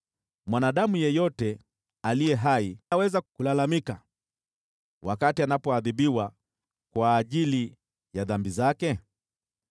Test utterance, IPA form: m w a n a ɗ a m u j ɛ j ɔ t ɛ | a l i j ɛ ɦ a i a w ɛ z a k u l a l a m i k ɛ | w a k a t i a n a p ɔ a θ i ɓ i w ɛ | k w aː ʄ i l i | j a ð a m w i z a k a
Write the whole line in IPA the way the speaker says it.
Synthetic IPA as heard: m w a n a ɗ a m u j ɛ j ɔ t ɛ | a l i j ɛ ɦ a i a w ɛ z a k u l a l a m i k a | w a k a t i a n a p ɔ a ð i ɓ i w a | k w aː ʄ i l i | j a ð a m b i z a k ɛ